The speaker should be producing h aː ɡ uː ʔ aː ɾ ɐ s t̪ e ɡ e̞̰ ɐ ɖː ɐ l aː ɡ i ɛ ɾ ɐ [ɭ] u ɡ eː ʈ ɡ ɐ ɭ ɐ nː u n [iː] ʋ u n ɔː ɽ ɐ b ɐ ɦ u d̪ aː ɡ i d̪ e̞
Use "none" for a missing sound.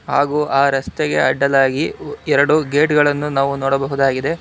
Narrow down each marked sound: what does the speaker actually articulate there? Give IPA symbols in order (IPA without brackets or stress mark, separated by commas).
ɽ, aː